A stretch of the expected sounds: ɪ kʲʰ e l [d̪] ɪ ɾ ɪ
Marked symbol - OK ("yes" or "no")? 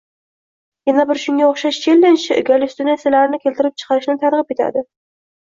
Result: no